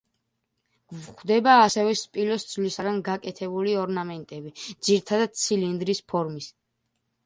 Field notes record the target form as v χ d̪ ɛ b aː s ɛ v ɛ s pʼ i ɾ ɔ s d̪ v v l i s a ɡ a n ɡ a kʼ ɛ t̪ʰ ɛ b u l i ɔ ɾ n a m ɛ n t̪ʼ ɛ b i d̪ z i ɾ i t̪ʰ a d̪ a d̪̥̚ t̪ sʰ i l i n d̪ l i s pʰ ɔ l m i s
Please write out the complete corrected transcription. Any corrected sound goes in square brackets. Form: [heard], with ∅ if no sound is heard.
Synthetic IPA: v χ d̪ ɛ b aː s ɛ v ɛ s pʼ i [l] ɔ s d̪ [z] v l i s a ɡ a n ɡ a kʼ ɛ t̪ʰ ɛ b u l i ɔ ɾ n a m ɛ n t̪ʼ ɛ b i d̪ z i ɾ i t̪ʰ a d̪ a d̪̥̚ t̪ sʰ i l i n d̪ [ɾ] i s pʰ ɔ [ɾ] m i s